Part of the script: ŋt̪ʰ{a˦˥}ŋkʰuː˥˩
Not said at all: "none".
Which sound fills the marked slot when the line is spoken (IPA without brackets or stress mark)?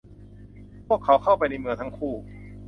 a˦˥